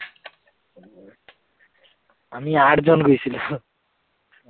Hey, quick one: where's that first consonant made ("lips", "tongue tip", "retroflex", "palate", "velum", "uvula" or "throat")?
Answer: lips